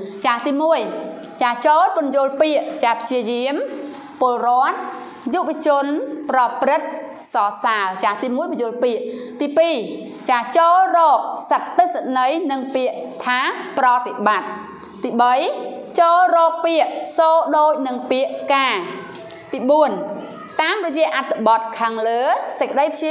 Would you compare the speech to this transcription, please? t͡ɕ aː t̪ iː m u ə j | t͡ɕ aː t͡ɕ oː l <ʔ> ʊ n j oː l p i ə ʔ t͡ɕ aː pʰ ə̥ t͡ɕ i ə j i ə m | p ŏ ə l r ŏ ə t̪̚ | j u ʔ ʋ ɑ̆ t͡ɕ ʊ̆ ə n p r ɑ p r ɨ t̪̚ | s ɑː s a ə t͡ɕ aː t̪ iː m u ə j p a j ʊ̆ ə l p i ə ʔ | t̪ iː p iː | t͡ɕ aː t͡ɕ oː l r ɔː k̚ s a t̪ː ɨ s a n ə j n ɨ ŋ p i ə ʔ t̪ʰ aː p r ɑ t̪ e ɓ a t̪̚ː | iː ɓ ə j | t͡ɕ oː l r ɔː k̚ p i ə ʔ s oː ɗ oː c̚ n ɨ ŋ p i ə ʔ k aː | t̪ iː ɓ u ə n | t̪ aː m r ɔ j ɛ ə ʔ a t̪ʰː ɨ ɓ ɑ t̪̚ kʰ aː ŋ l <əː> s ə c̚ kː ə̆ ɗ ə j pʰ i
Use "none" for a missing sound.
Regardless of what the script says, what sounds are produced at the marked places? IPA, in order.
p, əː

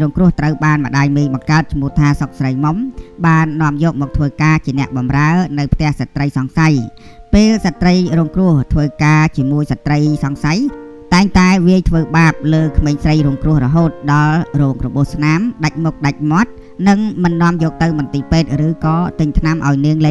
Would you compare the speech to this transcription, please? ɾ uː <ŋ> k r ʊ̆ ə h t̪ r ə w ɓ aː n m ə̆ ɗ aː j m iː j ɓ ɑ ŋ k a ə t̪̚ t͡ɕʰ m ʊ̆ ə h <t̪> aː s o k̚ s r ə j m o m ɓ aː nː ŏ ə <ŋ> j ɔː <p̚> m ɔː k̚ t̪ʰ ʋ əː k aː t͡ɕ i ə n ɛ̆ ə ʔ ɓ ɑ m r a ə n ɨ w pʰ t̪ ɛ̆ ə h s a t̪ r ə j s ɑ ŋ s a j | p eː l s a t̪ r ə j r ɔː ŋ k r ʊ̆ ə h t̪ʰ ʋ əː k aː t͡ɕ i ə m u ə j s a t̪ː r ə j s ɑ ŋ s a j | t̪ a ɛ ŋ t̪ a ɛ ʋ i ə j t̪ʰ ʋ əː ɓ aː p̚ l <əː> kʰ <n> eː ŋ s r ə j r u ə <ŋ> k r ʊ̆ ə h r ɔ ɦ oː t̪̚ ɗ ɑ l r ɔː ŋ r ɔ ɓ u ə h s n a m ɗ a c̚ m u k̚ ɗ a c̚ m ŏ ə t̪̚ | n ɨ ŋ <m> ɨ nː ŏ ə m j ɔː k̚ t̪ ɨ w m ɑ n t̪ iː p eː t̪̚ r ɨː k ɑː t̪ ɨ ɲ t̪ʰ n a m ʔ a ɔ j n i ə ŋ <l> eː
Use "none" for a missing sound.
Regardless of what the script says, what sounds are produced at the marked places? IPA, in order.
ŋ, t̪ʰ, m, k̚, əː, m, ŋ, m, l

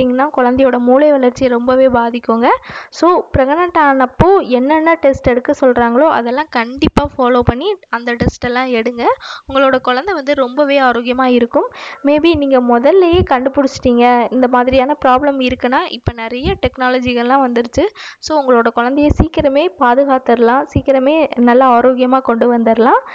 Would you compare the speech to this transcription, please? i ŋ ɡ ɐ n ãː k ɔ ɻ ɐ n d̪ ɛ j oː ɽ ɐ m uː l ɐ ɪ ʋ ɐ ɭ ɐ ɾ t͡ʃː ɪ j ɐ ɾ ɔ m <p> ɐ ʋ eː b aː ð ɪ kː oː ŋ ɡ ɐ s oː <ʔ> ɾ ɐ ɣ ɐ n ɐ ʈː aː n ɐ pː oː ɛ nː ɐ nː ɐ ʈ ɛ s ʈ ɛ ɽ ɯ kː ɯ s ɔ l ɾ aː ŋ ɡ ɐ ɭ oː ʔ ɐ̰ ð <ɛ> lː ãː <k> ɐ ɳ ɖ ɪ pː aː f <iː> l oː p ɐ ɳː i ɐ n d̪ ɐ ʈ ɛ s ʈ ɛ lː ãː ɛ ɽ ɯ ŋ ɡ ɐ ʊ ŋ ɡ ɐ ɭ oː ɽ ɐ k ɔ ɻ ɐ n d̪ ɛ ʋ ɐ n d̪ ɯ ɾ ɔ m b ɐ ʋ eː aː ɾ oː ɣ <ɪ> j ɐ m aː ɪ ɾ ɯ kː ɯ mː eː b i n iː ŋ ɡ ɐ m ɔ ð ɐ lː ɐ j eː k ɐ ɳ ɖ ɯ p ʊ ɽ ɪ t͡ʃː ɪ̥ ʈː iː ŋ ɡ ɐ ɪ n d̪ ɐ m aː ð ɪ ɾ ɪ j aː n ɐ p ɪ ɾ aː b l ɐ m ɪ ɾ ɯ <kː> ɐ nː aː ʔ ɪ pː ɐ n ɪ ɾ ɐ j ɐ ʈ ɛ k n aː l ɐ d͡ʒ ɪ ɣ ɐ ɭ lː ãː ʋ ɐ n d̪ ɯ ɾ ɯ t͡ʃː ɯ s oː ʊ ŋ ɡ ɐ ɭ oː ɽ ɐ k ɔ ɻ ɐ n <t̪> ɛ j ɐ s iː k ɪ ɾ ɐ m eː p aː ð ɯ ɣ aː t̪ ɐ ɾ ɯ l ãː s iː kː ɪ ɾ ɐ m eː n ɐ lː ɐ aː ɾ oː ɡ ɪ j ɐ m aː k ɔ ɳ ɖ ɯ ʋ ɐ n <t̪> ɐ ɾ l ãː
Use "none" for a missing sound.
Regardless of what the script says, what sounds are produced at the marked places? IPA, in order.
b, p, ɛ, k, aː, ɪ, kː, d̪, d̪

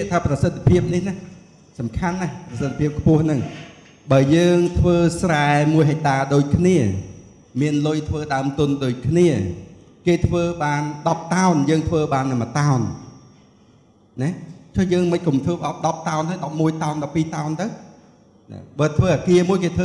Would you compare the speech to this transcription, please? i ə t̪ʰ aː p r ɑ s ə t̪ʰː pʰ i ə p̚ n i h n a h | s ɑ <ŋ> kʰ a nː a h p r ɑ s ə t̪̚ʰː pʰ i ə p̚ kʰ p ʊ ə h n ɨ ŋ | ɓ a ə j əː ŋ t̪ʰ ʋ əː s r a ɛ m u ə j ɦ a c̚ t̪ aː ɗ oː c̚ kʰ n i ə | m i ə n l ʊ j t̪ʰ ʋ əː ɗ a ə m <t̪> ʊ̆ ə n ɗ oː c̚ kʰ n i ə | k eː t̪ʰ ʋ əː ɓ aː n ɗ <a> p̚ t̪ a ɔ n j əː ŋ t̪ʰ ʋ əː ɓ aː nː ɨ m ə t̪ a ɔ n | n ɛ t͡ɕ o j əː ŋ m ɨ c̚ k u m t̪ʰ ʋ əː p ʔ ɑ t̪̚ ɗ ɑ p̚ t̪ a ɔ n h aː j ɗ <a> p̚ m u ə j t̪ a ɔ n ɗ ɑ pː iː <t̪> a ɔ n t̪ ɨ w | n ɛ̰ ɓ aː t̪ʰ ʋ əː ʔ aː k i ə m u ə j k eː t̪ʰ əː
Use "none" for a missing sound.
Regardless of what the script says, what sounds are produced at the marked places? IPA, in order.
m, t̪, ɑ, ɑ, t̪

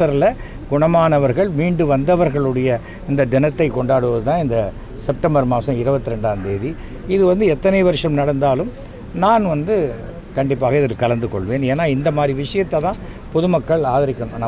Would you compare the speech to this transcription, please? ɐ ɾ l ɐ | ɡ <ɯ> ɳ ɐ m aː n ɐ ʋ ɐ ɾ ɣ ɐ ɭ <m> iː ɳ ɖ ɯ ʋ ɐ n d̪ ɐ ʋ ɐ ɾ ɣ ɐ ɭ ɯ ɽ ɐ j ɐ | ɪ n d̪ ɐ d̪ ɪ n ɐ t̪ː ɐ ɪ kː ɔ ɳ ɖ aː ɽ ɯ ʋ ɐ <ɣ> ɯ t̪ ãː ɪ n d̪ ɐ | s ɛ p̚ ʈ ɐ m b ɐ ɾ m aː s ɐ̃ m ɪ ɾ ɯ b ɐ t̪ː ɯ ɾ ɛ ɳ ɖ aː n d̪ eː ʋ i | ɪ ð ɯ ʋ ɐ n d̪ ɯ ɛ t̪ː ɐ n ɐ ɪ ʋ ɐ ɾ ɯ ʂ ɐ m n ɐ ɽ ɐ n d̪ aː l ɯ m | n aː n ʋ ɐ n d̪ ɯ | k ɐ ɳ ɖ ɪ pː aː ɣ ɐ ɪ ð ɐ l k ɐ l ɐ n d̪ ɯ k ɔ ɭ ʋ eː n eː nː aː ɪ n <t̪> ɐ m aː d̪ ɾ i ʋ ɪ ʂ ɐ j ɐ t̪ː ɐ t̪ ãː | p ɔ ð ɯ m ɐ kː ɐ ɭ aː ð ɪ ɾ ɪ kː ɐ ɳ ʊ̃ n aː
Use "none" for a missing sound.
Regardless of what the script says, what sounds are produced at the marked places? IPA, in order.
ʊ, m, ð, d̪

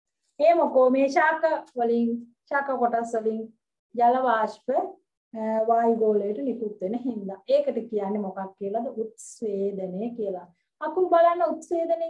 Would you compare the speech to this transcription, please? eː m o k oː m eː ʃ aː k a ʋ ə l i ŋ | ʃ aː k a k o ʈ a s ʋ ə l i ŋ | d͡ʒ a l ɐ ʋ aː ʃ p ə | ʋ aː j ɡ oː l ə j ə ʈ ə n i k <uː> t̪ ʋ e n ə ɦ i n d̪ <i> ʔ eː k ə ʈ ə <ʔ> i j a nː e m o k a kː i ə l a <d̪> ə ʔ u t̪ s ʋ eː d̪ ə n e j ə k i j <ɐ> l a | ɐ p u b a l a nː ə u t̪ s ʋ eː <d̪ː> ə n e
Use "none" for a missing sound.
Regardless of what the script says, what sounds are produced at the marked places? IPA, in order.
u, a, k, d̪, ə, d̪

